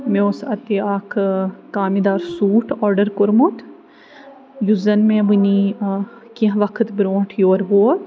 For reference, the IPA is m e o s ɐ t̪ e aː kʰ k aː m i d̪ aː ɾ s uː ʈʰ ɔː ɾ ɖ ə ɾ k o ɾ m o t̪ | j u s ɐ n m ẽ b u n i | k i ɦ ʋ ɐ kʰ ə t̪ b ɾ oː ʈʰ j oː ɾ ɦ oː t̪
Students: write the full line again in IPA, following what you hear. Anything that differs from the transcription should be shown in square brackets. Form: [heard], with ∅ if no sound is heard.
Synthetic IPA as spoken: m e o s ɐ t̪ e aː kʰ k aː m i d̪ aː ɾ s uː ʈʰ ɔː ɾ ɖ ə ɾ k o ɾ m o t̪ | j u [z] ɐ n m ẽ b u n i | k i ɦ ʋ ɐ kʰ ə t̪ b ɾ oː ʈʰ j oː ɾ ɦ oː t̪